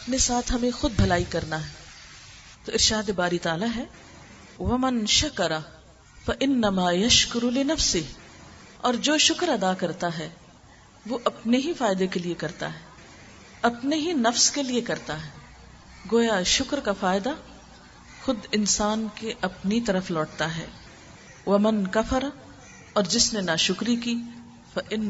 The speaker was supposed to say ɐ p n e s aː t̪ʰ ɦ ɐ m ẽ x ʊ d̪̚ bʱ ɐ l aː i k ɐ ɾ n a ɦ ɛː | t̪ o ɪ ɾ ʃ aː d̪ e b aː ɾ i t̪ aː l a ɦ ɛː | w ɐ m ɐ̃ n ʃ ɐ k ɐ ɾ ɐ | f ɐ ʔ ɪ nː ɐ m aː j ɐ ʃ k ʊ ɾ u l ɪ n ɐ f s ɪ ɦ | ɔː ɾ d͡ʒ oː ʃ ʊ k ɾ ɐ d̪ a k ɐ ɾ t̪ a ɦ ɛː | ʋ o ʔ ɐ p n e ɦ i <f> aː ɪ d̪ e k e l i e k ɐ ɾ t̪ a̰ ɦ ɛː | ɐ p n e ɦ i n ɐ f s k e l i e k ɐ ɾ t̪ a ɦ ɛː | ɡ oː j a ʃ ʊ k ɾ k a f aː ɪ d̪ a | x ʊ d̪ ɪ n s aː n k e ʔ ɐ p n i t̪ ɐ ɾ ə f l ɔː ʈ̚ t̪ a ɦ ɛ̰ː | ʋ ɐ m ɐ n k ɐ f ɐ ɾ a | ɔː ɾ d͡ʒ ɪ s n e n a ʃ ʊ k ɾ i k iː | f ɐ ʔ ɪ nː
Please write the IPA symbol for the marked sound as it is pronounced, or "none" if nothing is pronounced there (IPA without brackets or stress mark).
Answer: f